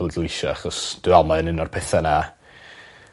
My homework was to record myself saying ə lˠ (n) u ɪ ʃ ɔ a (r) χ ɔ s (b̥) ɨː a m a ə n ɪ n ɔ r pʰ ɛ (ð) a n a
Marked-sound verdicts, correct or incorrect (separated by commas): incorrect, incorrect, incorrect, incorrect